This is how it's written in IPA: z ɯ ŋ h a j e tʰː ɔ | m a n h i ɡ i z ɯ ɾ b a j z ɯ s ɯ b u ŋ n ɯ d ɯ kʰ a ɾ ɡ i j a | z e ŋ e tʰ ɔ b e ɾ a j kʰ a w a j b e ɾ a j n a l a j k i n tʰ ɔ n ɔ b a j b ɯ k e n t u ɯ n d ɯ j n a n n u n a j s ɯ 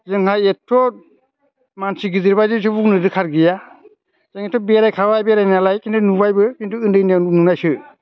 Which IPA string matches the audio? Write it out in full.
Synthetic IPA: z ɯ ŋ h a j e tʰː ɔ | m a n s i ɡ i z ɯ ɾ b a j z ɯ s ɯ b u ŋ n ɯ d ɯ kʰ a ɾ ɡ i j a | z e ŋ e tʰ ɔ b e ɾ a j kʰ a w a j b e ɾ a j n a l a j k i n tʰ u n u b a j b ɯ k i n t u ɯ n d ɯ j n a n n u n a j s ɯ